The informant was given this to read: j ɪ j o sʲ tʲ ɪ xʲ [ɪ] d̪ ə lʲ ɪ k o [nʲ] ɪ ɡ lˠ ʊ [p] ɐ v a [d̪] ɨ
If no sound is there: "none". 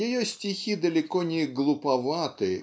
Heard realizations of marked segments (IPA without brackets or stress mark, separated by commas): i, nʲ, p, t̪